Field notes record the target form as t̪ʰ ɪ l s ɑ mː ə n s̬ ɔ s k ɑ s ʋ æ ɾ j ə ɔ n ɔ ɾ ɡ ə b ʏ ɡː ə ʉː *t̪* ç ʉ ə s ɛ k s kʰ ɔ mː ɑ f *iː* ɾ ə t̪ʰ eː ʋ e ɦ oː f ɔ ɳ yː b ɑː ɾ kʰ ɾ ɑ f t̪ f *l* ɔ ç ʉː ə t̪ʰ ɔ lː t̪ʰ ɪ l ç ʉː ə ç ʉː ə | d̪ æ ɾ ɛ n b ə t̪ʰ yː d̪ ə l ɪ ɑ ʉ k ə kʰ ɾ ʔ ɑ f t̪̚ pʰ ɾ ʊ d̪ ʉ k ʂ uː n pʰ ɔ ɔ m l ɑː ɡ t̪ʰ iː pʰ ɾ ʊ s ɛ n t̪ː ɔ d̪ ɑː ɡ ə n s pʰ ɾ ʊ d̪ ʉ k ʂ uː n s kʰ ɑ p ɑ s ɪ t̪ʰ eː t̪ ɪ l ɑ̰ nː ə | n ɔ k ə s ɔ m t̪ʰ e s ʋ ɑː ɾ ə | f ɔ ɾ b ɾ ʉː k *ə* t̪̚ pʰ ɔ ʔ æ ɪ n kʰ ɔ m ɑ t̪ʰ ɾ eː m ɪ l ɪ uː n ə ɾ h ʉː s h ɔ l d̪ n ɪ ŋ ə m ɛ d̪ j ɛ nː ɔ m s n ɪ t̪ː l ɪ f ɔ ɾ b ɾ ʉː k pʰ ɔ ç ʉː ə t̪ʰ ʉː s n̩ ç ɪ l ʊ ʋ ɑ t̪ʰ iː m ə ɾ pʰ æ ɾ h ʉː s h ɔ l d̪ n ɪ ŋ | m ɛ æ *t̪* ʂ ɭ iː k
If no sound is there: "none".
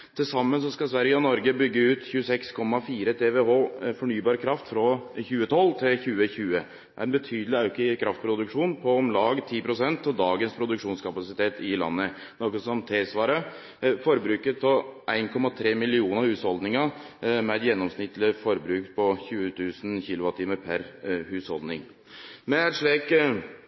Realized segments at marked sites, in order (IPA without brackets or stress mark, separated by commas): t̪, iː, ɾ, ə, t̪